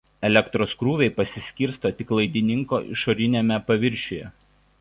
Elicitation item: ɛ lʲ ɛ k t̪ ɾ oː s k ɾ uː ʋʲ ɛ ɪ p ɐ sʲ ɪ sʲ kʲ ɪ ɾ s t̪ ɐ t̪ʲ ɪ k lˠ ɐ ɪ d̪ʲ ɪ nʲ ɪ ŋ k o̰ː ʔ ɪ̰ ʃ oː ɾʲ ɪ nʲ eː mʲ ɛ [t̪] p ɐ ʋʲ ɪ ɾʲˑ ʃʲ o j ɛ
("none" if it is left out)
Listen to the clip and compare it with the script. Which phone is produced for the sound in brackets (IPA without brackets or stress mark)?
none